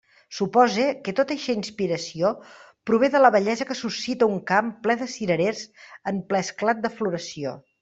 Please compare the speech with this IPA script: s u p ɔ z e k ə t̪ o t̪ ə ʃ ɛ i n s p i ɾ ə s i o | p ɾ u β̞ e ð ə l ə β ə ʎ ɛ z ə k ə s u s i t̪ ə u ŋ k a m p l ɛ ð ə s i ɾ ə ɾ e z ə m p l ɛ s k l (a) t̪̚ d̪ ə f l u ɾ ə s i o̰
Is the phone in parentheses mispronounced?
no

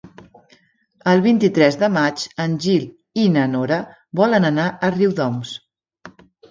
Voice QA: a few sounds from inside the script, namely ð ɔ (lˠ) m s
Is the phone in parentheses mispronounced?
yes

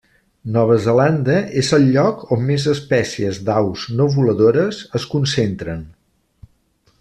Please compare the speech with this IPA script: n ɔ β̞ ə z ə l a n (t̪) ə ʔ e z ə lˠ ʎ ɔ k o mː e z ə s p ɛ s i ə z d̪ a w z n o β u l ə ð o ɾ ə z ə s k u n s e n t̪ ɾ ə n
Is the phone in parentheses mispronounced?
yes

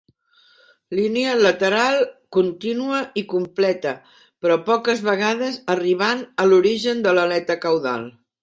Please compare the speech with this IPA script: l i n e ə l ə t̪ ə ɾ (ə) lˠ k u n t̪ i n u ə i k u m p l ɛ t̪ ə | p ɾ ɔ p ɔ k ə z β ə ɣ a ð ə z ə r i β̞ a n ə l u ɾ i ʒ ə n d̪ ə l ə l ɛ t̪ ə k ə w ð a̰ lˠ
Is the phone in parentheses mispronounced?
yes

